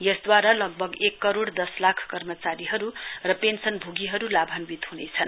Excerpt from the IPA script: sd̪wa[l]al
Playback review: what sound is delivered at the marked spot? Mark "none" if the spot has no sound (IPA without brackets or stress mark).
ɾ